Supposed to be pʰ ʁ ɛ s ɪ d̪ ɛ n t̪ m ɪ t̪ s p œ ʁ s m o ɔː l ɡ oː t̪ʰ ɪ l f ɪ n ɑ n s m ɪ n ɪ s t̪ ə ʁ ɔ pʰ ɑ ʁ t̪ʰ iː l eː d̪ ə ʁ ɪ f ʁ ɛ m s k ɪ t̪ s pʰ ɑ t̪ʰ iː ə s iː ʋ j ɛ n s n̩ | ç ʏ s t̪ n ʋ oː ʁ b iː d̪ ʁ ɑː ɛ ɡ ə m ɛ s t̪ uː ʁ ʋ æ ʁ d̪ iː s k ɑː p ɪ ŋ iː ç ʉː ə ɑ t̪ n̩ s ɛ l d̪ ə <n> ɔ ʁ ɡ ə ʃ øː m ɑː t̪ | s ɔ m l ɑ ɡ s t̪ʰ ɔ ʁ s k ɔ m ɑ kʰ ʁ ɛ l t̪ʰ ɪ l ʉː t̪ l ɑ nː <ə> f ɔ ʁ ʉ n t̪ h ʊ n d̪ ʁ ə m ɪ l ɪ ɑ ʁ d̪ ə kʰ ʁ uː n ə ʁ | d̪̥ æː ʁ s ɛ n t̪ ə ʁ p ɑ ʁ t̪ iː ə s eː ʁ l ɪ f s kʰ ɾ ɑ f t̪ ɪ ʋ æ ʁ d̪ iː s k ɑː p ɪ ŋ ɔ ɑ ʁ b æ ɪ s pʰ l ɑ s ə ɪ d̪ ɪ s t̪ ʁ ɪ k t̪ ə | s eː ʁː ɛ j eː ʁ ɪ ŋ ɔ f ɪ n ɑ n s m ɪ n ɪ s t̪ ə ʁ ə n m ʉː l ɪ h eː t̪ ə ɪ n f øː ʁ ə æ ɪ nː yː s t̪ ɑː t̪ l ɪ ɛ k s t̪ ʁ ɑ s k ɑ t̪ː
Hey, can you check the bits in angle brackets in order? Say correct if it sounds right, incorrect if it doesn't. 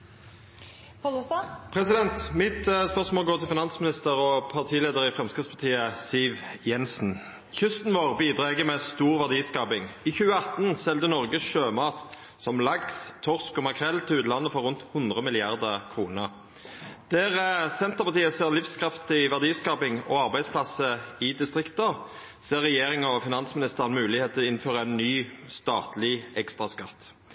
correct, correct

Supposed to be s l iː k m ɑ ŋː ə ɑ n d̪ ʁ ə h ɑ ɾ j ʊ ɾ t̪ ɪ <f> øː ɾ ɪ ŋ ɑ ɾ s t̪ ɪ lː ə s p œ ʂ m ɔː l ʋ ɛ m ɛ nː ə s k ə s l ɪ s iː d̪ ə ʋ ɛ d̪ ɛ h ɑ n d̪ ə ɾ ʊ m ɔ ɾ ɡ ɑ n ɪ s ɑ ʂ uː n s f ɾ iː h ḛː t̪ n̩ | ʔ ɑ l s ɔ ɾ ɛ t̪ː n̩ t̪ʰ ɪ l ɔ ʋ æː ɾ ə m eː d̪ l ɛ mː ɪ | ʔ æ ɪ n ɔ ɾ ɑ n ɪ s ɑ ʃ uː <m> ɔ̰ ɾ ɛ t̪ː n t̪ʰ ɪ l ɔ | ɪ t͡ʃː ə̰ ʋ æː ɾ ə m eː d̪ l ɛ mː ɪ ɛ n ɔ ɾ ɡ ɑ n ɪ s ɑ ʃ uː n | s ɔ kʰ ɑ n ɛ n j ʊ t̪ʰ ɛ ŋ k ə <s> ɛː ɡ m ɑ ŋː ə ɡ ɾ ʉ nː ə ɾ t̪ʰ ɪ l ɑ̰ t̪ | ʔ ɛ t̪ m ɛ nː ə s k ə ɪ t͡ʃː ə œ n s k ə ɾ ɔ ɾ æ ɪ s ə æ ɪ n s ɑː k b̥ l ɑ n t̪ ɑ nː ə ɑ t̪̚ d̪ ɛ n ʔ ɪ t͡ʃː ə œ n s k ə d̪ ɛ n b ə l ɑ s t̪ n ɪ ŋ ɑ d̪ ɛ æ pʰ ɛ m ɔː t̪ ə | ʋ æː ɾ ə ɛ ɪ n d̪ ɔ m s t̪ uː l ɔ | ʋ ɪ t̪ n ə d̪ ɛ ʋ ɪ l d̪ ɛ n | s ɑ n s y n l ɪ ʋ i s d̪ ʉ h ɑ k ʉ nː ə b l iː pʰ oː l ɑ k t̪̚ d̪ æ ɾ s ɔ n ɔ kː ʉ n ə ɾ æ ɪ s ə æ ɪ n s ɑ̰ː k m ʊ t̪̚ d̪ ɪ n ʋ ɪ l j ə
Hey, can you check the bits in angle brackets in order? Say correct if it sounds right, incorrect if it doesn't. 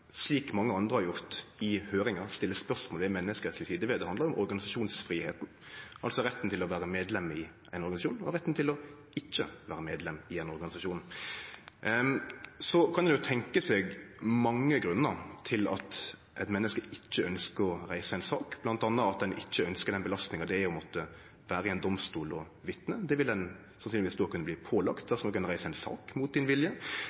incorrect: h, incorrect: n, correct

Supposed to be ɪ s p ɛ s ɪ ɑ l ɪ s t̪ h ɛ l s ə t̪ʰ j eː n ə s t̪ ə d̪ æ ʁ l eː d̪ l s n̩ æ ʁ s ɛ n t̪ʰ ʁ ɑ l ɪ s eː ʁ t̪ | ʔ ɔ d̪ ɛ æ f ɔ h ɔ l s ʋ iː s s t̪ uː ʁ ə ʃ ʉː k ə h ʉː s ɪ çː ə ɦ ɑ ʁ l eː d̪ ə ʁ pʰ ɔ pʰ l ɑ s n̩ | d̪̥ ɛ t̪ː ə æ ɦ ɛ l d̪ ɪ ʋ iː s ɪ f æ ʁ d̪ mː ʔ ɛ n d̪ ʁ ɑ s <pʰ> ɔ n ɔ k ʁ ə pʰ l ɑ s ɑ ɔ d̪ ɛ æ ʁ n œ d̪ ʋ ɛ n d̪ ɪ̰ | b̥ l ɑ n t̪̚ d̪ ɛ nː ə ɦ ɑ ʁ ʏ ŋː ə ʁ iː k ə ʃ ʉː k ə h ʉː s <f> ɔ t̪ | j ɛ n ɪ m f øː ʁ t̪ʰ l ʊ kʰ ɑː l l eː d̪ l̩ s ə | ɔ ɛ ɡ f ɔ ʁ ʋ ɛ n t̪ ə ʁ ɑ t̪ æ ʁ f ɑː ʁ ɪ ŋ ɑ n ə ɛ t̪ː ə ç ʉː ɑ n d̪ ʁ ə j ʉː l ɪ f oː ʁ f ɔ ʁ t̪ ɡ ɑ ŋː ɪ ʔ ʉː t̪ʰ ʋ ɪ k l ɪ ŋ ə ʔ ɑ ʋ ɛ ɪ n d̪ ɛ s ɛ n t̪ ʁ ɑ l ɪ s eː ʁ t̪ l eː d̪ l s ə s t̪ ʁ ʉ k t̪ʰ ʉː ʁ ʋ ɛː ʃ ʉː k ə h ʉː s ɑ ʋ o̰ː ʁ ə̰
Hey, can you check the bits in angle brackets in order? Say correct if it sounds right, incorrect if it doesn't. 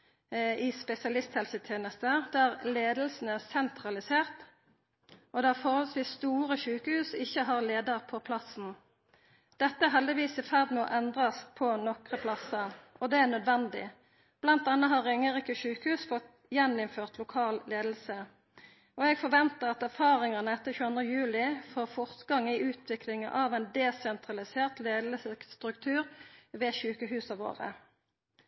correct, correct

